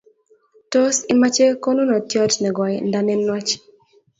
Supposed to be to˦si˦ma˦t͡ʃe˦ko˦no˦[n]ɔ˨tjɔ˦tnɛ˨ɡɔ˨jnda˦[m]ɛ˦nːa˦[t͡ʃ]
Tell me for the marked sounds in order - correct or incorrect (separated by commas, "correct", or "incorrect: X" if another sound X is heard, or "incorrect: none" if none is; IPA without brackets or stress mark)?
correct, incorrect: n, correct